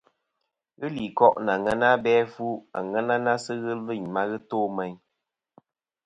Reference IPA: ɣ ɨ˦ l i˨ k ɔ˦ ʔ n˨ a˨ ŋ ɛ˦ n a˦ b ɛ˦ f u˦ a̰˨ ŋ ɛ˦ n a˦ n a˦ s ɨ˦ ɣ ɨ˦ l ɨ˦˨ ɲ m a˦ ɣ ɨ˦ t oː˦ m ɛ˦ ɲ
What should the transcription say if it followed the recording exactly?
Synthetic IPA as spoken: ɣ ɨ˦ l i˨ k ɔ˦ ʔ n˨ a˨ ŋ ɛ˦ n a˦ b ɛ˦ f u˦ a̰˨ ŋ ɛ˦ n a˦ n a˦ s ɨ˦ ɣ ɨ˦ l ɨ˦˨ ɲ m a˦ ɣ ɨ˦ t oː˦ m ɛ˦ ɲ